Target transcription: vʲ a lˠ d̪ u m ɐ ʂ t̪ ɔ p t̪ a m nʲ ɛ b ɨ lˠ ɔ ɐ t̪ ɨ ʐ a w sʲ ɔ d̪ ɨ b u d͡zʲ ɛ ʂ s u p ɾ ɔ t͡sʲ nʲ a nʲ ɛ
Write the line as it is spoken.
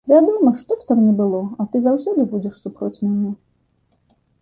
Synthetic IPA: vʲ a d̪ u m ɐ ʂ t̪ ɔ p t̪ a m nʲ ɛ b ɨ lˠ ɔ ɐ t̪ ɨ z a w sʲ ɔ d̪ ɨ b u d͡zʲ ɛ ʂ s u p ɾ ɔ t͡sʲ mʲ a nʲ ɛ

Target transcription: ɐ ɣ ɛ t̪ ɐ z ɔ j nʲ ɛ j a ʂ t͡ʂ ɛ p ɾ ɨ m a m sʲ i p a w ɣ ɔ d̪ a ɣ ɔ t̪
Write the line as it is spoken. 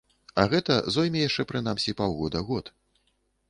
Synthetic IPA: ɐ ɣ ɛ t̪ ɐ z ɔ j mʲ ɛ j a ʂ t͡ʂ ɛ p ɾ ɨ n a m sʲ i p a w ɣ ɔ d̪ ɐ ɣ ɔ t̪

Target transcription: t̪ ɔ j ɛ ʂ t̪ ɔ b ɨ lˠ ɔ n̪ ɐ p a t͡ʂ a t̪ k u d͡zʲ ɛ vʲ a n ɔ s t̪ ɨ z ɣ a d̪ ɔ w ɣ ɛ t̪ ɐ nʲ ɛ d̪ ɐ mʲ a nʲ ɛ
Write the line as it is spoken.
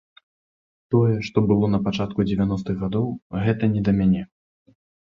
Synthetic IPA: t̪ ɔ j ɛ ʂ t̪ ɔ b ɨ lˠ ɔ n̪ ɐ p a t͡ʂ a t̪ k u d͡zʲ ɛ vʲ a n ɔ s t̪ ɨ ɣ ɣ a d̪ ɔ w ɣ ɛ t̪ ɐ nʲ ɛ d̪ ɐ mʲ a nʲ ɛ

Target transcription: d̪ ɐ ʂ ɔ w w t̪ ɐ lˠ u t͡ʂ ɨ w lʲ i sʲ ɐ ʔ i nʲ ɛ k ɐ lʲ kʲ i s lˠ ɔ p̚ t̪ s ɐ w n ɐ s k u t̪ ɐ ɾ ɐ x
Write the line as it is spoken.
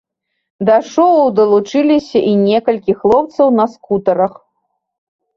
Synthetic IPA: d̪ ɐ ʂ ɔ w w d̪ ɐ lˠ u t͡ʂ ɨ lʲ i sʲ ɐ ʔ i nʲ ɛ k ɐ lʲ kʲ i x lˠ ɔ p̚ t̪ s ɐ w n ɐ s k u t̪ ɐ ɾ ɐ x

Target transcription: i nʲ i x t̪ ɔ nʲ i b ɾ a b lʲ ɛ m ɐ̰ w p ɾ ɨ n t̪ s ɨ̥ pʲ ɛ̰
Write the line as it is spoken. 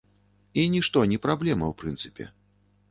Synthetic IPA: i nʲ i ʂ t̪ ɔ nʲ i p ɾ a b lʲ ɛ m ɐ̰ w p ɾ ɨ n t̪ s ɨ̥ pʲ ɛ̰

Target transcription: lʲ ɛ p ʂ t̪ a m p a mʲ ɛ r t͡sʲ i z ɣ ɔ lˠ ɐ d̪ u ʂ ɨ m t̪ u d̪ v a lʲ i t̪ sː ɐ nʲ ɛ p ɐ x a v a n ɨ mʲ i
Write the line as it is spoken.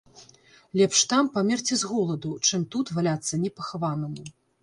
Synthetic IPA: lʲ ɛ p ʂ t̪ a m p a mʲ ɛ r t͡sʲ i z ɣ ɔ lˠ ɐ d̪ u t͡ʂ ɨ m t̪ u t̪ v a lʲ a t̪ sː ɐ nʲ ɛ p ɐ x a v a n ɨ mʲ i

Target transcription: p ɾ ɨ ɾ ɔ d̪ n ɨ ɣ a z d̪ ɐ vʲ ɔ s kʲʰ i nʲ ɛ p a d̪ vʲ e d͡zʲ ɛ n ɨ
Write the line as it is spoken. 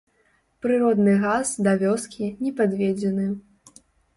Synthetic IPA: p ɾ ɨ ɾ ɔ d̪ n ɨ ɣ a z d̪ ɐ vʲ ɔ s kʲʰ i nʲ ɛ p a d̪ vʲ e d͡zʲ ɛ n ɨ

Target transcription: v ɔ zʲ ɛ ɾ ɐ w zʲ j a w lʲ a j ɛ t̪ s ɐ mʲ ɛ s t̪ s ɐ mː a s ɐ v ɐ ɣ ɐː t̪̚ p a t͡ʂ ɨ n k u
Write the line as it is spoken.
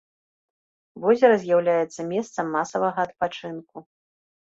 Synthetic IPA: v ɔ zʲ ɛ ɾ ɐ zʲ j a w lʲ a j ɛ t̪ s ɐ mʲ ɛ s t̪ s ɐ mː a s ɐ v ɐ ɣ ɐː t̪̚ p a t͡ʂ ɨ n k u

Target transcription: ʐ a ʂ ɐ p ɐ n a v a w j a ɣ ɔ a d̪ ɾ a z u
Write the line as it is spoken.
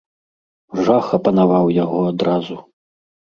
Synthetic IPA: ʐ a x ɐ p ɐ n a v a w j a ɣ ɔ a d̪ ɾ a z u

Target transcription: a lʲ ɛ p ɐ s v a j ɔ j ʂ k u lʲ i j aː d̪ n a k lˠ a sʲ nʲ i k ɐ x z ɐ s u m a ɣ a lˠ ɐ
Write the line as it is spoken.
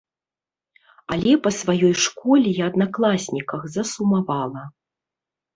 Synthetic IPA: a lʲ ɛ p ɐ s v a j ɔ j ʂ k ɔ lʲ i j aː d̪ n a k lˠ a sʲ nʲ i k ɐ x z ɐ s u m a v a lˠ ɐ

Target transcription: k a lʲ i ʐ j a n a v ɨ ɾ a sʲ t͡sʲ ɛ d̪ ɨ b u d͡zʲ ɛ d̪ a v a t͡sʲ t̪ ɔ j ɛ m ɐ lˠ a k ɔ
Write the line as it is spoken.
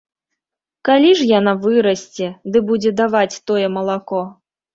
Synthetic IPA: k a lʲ i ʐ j a n a v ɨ ɾ ɐ sʲ t͡sʲ ɛ d̪ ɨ b u d͡zʲ ɛ d̪ a v a t͡sʲ t̪ ɔ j ɛ m ɐ lˠ a k ɔ

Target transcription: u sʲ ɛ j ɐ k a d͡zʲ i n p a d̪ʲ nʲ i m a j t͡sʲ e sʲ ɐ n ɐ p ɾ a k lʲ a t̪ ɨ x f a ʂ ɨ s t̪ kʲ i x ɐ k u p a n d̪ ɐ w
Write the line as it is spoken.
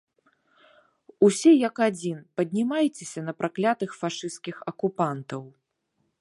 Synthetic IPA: u sʲ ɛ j ɐ k a d͡zʲ i n p ɐ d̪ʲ nʲ i m a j t͡sʲ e sʲ ɐ n ɐ p ɾ a k lʲ a t̪ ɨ x f a ʂ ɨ s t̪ kʲ i x ɐ k u p a n t̪ ɐ w

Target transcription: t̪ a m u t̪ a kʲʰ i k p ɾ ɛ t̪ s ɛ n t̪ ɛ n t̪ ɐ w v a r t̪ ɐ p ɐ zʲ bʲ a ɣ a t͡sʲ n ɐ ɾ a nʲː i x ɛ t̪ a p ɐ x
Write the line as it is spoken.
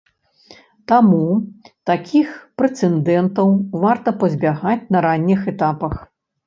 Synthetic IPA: t̪ a m u t̪ a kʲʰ i x p ɾ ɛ t̪ s ɛ n d̪ ɛ n t̪ ɐ w v a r t̪ ɐ p ɐ zʲ bʲ a ɣ a t͡sʲ n ɐ ɾ a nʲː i x ɛ t̪ a p ɐ x

